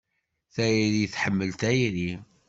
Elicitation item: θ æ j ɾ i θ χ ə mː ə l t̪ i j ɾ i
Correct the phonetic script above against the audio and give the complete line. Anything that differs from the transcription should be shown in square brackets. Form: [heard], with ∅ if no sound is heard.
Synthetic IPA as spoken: θ æ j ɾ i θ [ħ] ə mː ə l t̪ [æ] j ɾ i